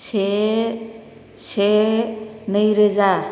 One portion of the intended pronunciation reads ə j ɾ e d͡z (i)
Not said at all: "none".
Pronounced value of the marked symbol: a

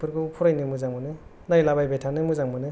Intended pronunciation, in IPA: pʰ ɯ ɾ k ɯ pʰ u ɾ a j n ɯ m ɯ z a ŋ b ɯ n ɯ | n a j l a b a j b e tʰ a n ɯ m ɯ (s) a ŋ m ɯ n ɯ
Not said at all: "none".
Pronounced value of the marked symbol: z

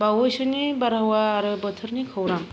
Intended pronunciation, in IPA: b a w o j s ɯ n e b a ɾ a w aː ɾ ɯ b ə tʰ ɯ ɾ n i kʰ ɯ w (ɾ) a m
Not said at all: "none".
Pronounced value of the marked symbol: ɾ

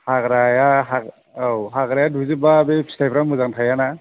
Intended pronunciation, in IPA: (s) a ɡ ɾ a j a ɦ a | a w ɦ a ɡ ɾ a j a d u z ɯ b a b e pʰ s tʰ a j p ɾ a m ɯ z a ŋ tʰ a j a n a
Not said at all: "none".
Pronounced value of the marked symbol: h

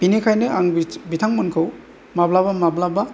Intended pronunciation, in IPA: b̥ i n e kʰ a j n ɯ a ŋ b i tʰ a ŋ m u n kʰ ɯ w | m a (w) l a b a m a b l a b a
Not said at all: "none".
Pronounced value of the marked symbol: b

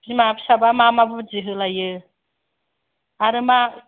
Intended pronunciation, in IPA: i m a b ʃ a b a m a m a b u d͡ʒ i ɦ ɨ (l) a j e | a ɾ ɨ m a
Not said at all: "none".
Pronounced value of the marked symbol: l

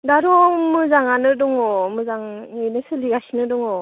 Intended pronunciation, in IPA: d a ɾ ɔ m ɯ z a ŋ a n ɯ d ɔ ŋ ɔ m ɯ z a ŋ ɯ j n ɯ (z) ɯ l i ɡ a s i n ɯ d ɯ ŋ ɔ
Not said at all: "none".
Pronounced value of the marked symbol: s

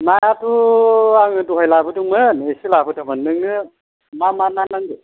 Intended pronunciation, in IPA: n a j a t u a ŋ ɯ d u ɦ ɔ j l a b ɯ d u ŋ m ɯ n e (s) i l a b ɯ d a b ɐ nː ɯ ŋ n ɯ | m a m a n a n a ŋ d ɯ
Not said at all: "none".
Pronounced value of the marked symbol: s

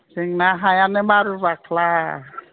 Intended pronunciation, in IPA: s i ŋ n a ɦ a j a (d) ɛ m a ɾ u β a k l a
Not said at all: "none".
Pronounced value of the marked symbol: n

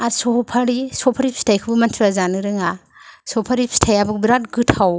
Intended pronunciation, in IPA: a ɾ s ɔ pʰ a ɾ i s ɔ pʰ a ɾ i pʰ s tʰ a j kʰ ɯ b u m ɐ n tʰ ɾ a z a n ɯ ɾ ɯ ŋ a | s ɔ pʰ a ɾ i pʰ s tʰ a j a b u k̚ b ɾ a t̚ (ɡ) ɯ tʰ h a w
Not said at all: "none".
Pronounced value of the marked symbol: ɡ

